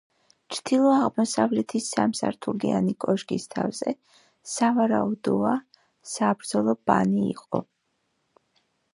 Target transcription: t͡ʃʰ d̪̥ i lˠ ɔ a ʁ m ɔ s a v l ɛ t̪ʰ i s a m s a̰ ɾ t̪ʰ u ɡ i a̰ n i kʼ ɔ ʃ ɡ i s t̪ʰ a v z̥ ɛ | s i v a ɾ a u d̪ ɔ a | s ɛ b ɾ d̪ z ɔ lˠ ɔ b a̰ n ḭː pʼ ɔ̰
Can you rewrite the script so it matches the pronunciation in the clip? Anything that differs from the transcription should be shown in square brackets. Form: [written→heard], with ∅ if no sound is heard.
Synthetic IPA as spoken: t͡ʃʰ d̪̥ i lˠ ɔ a ʁ m ɔ s a v l ɛ t̪ʰ i s a m s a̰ ɾ t̪ʰ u ɡ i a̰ n i kʼ ɔ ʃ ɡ i s t̪ʰ a v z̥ ɛ | s [i→a] v a ɾ a u d̪ ɔ a | s [ɛ→a] b ɾ d̪ z ɔ lˠ ɔ b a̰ n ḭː [pʼ→qʼ] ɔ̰